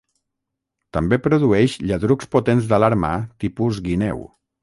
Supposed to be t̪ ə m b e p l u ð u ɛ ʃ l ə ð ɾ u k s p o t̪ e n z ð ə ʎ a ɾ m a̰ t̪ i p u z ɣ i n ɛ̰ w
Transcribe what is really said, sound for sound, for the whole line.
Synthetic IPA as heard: t̪ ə m b e p ɾ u ð u ɛ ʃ ʎ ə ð ɾ u k s p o t̪ e n z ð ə l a ɾ m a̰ t̪ i p u z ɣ i n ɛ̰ w